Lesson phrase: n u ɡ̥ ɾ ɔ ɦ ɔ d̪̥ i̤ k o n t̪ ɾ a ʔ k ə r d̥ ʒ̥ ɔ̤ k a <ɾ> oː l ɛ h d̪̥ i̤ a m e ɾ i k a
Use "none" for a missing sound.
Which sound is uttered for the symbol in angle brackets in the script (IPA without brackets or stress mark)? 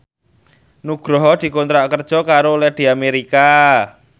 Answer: ɾ